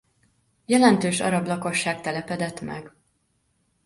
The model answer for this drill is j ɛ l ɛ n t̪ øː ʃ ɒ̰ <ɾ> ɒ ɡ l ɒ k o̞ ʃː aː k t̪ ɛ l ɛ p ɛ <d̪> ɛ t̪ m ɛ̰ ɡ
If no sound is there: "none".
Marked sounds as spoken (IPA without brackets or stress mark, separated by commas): ɾ, d̪